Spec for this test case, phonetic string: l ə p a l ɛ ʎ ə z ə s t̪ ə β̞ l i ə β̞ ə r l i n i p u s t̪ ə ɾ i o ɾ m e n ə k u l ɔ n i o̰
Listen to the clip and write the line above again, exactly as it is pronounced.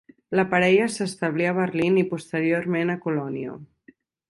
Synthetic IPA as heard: l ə p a ɾ ɛ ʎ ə s ə s t̪ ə β̞ l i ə β̞ ə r l i n i p u s t̪ ə ɾ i o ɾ m e n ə k u l ɔ n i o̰